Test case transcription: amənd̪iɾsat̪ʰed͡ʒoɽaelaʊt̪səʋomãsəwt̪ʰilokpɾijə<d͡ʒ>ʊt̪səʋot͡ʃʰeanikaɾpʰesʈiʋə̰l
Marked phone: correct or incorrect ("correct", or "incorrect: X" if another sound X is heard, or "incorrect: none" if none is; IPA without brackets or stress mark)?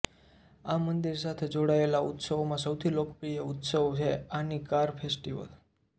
incorrect: none